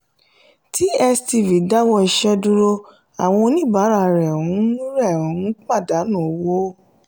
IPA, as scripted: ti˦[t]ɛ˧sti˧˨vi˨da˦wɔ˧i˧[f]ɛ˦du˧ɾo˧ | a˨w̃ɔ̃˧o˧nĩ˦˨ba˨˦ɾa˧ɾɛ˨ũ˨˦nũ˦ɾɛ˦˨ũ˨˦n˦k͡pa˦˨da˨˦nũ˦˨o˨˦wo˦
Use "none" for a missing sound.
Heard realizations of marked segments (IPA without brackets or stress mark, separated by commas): none, ʃ